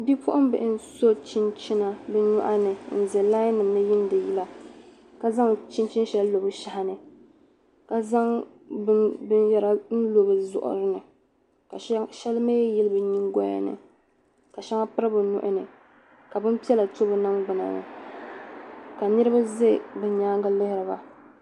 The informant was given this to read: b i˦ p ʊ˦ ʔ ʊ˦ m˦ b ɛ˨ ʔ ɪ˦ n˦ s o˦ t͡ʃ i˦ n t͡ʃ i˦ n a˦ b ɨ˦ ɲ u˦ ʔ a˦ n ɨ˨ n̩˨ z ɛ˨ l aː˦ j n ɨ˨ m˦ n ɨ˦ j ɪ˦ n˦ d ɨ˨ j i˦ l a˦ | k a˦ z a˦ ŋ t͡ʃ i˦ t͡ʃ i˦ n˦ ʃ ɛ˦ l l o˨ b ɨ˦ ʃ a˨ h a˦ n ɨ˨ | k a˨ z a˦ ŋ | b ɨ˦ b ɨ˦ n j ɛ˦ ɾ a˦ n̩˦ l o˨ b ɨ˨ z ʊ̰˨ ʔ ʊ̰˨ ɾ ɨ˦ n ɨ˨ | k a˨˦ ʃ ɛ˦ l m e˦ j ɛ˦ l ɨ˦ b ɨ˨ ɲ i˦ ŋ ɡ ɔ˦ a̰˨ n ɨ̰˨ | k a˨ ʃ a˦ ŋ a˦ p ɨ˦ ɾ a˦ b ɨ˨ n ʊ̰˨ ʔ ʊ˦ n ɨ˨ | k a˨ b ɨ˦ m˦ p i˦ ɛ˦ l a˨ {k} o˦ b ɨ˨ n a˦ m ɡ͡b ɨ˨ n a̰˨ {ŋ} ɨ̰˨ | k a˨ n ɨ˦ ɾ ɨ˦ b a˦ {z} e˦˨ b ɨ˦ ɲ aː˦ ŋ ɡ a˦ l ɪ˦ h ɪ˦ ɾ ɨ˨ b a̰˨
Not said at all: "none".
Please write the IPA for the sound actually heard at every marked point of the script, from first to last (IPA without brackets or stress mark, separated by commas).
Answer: t, n, z